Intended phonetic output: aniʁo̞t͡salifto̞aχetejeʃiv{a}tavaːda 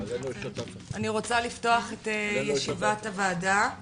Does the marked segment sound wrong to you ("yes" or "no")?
no